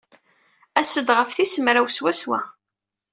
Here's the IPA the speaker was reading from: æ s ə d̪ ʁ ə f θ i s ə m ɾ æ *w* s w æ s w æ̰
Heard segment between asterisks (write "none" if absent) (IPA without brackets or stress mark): w